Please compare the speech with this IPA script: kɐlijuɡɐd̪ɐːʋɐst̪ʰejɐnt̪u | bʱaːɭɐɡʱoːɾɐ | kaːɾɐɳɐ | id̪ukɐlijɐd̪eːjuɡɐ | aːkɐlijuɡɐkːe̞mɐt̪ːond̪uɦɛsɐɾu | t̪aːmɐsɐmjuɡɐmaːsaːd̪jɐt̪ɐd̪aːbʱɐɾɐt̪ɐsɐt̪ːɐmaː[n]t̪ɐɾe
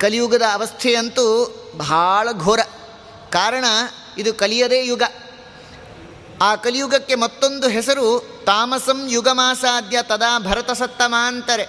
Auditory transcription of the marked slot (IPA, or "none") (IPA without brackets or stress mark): n